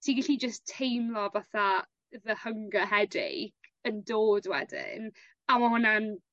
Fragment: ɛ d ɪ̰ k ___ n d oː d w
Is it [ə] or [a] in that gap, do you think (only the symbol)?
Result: ə